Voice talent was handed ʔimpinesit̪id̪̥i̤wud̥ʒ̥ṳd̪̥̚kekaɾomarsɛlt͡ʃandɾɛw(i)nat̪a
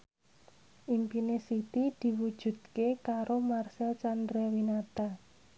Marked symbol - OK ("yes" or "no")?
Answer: yes